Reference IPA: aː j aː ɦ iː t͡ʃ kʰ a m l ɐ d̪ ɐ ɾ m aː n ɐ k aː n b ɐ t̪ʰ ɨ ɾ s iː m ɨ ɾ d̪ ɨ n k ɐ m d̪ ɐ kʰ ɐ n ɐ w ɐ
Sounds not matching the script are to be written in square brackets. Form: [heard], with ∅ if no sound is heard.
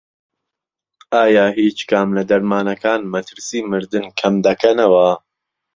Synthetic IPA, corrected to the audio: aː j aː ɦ iː t͡ʃ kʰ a m l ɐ d̪ ɐ ɾ m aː n ɐ k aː n [m] ɐ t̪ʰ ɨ ɾ s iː m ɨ ɾ d̪ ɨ n [kʰ] ɐ m d̪ ɐ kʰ ɐ n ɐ w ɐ